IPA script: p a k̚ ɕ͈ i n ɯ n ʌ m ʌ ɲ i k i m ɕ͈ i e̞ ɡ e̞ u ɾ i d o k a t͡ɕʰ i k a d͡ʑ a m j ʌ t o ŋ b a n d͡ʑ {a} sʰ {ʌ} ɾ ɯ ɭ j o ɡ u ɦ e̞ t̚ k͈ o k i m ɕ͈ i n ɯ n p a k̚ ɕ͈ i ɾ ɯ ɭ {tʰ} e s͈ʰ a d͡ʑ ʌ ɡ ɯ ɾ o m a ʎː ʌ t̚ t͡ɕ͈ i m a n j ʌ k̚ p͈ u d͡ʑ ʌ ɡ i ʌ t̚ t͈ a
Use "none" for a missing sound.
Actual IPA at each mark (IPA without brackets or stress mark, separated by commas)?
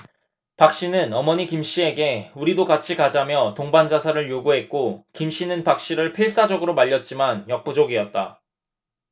a, a, pʰ